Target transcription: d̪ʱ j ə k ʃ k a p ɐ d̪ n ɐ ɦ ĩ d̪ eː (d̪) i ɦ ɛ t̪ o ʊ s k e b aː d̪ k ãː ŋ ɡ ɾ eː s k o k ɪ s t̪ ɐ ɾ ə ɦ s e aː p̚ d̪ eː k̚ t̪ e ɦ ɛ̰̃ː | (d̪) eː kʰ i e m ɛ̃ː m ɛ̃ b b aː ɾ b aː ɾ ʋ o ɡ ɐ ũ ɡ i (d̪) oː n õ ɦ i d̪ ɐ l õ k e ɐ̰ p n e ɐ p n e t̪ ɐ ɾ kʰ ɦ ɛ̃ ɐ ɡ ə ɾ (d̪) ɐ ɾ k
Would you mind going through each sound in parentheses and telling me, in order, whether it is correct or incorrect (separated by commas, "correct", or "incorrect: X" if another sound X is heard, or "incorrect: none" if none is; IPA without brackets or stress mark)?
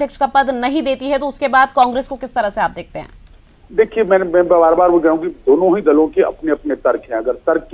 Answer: incorrect: t̪, correct, correct, incorrect: t̪